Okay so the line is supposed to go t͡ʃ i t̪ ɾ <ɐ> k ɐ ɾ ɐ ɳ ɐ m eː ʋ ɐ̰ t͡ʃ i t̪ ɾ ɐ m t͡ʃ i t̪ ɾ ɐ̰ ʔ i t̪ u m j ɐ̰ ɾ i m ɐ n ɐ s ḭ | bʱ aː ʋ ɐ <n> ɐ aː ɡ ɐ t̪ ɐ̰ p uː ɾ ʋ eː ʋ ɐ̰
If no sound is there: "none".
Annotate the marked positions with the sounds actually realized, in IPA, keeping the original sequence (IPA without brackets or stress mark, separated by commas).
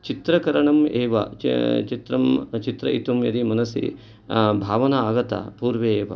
ɐ, n